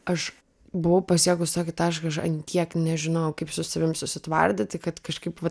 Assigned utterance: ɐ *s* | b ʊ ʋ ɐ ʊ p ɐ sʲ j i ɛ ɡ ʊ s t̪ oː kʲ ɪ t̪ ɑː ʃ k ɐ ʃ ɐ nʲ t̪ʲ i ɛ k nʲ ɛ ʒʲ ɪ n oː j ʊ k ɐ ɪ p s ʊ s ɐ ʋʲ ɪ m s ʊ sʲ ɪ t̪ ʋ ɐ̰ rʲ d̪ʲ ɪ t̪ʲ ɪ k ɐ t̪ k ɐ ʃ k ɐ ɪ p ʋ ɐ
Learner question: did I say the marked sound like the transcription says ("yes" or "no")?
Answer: no